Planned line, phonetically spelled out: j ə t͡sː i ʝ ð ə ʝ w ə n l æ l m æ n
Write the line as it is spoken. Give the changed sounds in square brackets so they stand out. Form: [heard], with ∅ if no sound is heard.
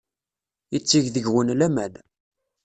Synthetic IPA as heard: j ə t͡sː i ʝ ð ə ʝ w ə n l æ [∅] m æ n